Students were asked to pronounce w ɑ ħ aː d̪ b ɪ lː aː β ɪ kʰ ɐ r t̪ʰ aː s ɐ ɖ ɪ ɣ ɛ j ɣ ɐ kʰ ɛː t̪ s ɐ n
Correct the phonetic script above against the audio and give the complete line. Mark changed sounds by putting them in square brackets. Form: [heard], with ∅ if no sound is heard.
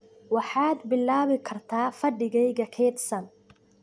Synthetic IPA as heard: w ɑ ħ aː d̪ b ɪ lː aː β ɪ kʰ ɐ r t̪ʰ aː [f] ɐ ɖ ɪ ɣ ɛ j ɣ ɐ kʰ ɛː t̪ s ɐ n